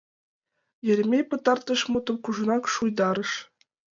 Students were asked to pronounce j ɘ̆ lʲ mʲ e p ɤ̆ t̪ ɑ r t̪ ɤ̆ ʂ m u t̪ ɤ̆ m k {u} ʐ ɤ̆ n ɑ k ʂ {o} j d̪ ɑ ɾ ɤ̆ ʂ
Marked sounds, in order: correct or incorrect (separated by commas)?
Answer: correct, incorrect